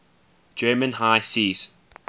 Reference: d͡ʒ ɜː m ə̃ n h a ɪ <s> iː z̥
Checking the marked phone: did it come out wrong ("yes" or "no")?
no